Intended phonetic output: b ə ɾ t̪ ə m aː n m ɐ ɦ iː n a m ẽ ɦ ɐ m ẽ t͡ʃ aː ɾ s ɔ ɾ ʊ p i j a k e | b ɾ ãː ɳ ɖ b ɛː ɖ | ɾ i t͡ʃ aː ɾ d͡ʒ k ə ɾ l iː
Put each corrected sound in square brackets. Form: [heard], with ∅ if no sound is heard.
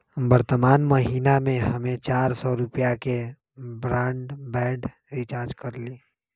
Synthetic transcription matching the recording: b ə ɾ t̪ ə m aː n m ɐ ɦ iː n a m ẽ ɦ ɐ m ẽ t͡ʃ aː ɾ s ɔ ɾ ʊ p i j a k e | b ɾ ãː ɳ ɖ b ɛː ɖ | ɾ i t͡ʃ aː ɾ d͡ʒ k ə ɾ l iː